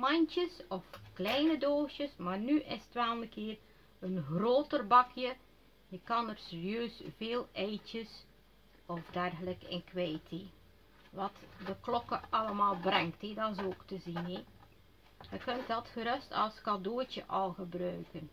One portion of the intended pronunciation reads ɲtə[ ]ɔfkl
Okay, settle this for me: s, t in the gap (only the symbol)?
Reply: s